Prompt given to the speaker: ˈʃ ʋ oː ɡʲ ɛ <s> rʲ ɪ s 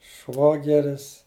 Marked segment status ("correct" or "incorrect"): incorrect